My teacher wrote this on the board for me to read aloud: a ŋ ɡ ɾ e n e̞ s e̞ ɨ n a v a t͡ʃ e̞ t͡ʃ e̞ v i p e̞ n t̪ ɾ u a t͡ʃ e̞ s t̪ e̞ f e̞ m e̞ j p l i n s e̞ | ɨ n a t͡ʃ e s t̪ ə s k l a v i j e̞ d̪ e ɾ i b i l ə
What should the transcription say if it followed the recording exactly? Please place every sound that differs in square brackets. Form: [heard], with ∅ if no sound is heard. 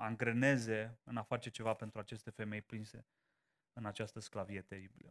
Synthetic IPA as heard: a ŋ ɡ ɾ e n e̞ [z] e̞ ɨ n a [f] a t͡ʃ e̞ t͡ʃ e̞ v [a] p e̞ n t̪ ɾ u a t͡ʃ e̞ s t̪ e̞ f e̞ m e̞ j p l i n s e̞ | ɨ n a t͡ʃ [a] s t̪ ə s k l a v i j e̞ [t̪] e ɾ i b i l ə